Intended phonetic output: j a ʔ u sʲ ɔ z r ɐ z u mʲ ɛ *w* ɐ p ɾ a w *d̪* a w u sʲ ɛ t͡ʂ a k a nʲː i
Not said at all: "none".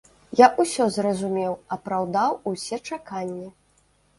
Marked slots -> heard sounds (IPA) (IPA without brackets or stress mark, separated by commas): w, d̪